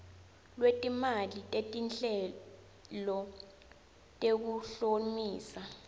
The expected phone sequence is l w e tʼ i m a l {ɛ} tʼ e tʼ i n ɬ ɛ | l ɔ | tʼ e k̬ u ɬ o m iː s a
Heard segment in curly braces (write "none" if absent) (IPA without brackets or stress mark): i